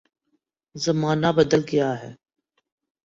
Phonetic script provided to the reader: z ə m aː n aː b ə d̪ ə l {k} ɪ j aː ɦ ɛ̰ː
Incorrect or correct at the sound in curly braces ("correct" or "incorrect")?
incorrect